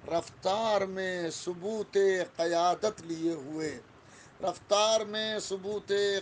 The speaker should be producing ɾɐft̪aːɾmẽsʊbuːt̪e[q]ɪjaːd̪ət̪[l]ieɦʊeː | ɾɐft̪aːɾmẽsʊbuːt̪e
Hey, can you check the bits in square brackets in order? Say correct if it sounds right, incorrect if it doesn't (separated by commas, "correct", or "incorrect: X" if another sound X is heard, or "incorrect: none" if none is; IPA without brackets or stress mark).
correct, correct